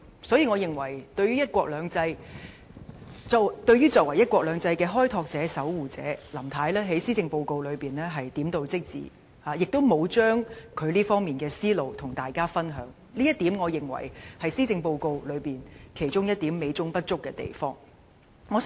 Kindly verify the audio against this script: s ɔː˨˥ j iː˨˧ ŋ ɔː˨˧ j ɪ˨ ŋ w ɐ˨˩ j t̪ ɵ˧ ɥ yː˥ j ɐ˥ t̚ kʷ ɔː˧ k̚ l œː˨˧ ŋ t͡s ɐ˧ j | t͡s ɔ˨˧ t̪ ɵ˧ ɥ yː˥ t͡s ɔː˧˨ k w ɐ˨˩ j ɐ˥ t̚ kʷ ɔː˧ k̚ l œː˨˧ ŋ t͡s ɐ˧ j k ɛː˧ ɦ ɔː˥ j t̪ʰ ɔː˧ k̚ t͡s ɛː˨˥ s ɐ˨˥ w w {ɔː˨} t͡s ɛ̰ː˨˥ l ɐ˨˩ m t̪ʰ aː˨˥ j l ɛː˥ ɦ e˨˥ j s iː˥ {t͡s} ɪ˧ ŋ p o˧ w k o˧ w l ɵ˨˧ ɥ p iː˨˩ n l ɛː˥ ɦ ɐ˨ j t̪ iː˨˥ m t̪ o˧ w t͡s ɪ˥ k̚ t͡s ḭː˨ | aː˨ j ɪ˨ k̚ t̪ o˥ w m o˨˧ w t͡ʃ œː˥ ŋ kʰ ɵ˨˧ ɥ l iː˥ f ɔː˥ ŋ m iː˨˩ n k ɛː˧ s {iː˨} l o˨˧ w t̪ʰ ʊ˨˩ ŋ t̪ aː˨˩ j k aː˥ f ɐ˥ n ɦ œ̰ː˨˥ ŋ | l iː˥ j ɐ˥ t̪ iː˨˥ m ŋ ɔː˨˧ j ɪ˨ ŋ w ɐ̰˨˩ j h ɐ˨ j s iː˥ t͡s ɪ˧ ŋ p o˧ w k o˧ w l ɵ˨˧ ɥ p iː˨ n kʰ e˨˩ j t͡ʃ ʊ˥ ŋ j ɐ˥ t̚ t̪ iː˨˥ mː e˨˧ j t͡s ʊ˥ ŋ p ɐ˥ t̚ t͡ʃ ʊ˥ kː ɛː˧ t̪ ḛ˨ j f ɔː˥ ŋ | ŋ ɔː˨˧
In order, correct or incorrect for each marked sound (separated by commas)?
incorrect, correct, incorrect